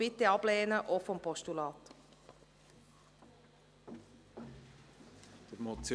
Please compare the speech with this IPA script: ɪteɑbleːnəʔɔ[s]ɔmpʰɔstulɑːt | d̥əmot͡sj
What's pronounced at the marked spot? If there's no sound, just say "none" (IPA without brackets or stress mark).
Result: f